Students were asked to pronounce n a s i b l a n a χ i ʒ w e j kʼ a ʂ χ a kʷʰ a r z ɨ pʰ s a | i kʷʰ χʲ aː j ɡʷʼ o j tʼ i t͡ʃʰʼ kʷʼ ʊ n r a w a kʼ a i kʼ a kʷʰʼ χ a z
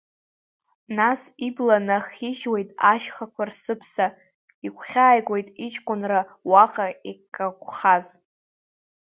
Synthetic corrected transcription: n a s i b l a n a χ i ʒ w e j tʼ a ʃ χ a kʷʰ a r s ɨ pʰ s a | i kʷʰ χʲ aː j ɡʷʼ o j tʼ i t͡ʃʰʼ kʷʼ ʊ n r a w a qʼ a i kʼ a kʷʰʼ χ a z